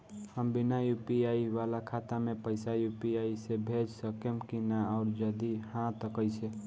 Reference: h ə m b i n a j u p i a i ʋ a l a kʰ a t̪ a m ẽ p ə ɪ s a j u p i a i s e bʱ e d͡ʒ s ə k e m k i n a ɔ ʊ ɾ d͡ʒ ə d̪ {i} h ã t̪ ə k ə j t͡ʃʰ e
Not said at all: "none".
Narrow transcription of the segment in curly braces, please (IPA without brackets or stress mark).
i